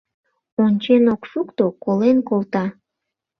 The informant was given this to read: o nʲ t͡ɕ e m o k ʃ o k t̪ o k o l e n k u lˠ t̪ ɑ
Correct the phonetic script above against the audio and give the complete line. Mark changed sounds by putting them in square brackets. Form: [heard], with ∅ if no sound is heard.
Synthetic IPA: o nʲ t͡ɕ e [n] o k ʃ [u] k t̪ o k o l e n k [o] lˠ t̪ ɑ